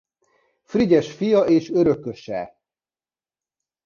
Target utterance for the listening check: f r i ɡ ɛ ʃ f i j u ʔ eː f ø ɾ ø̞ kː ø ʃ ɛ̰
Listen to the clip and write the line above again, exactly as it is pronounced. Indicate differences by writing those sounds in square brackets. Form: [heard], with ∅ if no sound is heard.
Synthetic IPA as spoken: f r i [ɟ] ɛ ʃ f i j [ɒ] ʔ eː [ʃ] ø ɾ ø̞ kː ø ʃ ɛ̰